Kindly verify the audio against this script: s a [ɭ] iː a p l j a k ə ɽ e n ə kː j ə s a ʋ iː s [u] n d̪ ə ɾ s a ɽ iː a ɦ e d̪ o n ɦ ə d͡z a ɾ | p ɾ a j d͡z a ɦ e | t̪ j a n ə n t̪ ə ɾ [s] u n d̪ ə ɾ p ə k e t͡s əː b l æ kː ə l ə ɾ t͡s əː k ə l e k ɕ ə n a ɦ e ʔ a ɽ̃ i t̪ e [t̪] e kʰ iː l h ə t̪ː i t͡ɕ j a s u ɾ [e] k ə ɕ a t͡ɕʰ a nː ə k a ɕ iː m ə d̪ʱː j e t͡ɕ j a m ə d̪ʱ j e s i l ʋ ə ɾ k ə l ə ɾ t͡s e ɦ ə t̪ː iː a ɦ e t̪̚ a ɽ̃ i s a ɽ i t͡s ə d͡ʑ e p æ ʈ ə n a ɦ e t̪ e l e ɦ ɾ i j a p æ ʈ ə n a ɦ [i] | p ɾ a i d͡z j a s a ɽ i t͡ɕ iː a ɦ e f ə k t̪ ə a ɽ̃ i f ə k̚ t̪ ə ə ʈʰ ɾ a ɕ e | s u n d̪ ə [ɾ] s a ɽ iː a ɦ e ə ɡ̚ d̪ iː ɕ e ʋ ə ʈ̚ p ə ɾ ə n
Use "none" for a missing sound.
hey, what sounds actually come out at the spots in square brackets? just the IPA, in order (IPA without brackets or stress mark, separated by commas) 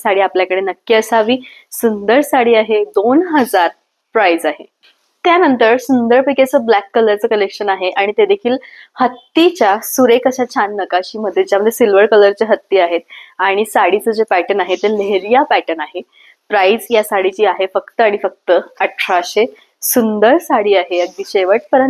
ɽ, u, s, d̪, e, e, ɾ